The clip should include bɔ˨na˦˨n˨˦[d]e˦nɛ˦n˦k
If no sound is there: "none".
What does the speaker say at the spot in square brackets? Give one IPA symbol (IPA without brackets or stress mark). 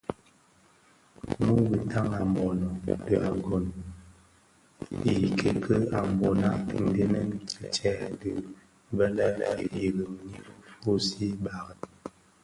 d